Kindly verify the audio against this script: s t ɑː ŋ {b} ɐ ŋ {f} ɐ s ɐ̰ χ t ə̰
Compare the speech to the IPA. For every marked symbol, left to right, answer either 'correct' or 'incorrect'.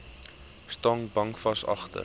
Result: correct, correct

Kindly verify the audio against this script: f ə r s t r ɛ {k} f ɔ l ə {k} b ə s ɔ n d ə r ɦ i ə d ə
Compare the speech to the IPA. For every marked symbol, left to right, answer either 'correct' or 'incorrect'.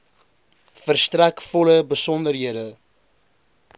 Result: correct, incorrect: none

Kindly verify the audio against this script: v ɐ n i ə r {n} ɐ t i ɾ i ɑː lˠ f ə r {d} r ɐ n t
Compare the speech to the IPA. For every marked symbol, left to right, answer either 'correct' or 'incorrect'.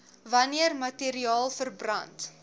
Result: incorrect: m, incorrect: b

